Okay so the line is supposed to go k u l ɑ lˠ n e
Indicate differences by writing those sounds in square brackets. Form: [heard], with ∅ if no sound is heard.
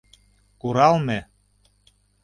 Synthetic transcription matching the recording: k u [ɾ] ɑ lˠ [m] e

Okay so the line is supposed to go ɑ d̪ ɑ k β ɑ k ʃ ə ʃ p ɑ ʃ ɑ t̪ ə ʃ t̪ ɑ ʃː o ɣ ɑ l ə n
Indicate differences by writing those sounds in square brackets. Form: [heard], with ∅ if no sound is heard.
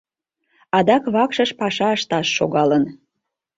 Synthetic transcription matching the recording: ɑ d̪ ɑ k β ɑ k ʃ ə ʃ p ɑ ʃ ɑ [∅] ə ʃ t̪ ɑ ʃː o ɣ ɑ l ə n

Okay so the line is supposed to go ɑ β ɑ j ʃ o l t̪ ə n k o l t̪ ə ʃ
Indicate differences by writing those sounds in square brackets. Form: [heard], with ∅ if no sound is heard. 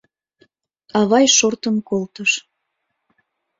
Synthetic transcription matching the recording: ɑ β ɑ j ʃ o [r] t̪ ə n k o l t̪ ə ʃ

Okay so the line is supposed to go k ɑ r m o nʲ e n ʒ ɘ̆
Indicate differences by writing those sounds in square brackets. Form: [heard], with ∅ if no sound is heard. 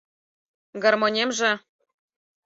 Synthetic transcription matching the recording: [ɡ] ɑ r m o nʲ e [m] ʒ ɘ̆

